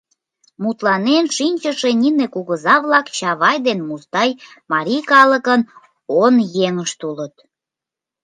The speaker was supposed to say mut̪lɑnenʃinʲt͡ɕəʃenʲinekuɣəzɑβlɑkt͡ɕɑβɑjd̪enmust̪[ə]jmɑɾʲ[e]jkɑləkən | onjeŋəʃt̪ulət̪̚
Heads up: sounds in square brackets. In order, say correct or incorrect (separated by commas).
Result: incorrect, incorrect